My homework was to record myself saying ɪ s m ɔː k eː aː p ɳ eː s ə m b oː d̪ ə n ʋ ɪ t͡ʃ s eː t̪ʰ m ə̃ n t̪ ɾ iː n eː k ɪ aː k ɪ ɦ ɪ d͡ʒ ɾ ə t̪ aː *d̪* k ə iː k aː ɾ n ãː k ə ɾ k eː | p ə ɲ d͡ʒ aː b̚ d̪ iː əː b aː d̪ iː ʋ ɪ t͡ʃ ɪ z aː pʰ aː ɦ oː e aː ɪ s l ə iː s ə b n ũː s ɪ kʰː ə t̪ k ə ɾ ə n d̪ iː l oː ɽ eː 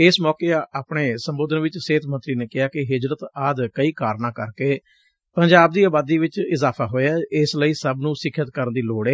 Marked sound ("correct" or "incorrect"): correct